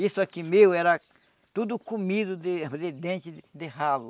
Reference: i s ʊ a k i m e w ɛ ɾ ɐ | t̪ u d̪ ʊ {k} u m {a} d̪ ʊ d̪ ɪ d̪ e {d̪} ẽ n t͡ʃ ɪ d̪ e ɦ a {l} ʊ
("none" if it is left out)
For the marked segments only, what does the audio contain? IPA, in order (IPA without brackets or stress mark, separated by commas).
k, i, d̪, l